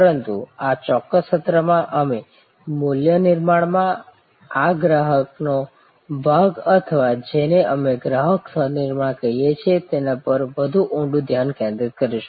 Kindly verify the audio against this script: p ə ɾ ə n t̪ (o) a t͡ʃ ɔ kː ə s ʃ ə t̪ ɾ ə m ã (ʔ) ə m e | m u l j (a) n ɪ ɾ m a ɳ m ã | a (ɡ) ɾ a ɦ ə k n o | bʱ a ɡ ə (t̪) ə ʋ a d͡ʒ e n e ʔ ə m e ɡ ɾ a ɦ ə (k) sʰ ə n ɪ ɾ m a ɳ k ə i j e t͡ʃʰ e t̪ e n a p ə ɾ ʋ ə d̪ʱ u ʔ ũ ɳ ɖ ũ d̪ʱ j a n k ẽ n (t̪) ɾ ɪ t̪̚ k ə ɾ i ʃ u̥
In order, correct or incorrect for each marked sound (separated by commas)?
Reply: incorrect, correct, incorrect, correct, incorrect, correct, incorrect